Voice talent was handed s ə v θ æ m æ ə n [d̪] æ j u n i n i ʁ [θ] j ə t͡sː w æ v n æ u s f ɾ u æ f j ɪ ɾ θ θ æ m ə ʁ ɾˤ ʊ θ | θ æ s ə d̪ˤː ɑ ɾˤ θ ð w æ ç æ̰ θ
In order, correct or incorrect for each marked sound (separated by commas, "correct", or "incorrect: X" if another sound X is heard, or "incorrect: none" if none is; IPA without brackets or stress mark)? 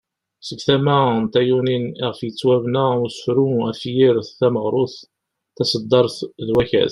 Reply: incorrect: t̪, incorrect: f